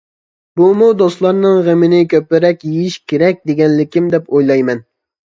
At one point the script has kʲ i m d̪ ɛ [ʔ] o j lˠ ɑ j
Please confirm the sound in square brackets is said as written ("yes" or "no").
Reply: no